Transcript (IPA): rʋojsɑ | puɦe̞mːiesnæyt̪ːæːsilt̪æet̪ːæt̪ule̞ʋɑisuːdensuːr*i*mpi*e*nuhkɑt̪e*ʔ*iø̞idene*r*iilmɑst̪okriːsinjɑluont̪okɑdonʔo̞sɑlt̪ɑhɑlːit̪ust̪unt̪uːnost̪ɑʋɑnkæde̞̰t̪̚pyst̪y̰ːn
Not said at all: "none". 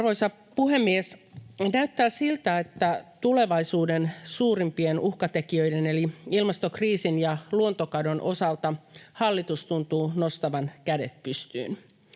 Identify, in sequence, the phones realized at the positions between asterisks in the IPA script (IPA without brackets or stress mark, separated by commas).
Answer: i, e, k, l